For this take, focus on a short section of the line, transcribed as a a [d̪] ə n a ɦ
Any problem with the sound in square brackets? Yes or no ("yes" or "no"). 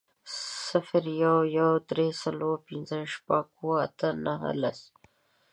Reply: yes